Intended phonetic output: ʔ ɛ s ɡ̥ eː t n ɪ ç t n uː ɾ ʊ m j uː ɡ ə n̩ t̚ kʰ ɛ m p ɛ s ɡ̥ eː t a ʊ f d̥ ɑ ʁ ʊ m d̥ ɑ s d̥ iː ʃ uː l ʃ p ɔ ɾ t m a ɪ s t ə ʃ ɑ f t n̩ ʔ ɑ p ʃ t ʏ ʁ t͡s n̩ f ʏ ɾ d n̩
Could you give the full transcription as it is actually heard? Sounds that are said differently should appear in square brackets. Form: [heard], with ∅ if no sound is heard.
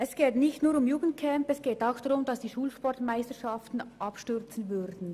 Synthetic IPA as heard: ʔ ɛ s ɡ̥ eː t n ɪ ç t n uː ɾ ʊ m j uː ɡ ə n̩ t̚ kʰ ɛ m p ɛ s ɡ̥ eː t a ʊ [x] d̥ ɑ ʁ ʊ m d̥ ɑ s d̥ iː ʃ uː l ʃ p ɔ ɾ t m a ɪ s t ə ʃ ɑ f t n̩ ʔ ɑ p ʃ t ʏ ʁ t͡s n̩ [v] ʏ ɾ d n̩